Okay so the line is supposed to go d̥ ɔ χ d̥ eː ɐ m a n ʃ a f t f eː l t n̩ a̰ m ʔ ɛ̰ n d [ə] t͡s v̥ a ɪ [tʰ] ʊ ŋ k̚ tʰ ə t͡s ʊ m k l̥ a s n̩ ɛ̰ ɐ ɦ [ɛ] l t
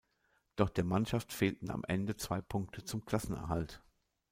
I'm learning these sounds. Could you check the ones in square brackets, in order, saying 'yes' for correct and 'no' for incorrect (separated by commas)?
yes, no, no